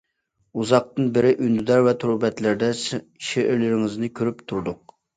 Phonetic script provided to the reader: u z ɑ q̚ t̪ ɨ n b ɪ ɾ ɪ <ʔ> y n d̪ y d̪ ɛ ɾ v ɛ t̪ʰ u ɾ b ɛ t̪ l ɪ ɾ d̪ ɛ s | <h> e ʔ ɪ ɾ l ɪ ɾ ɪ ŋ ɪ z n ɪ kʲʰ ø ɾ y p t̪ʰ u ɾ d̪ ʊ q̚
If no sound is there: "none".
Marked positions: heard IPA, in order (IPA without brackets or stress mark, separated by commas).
ʔ, ʃ